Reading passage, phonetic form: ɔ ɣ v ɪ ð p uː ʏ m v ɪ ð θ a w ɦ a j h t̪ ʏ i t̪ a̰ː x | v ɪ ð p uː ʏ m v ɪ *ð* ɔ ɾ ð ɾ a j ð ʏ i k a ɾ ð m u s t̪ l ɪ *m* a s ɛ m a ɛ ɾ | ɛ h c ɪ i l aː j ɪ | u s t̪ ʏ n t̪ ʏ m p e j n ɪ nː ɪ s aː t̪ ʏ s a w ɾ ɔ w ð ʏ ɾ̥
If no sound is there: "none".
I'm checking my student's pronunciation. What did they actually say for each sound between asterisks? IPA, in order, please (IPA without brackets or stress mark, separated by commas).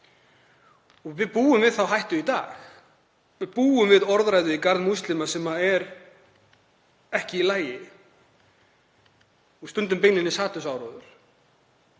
ð, m